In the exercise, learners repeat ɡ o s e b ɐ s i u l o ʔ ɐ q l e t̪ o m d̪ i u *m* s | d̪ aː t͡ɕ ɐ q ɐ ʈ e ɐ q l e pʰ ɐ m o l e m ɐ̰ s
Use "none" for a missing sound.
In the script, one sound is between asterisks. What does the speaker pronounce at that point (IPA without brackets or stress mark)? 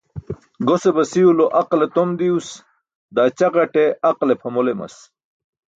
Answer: none